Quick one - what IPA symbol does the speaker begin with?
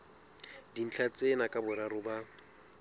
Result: d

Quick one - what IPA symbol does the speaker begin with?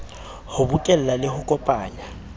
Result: h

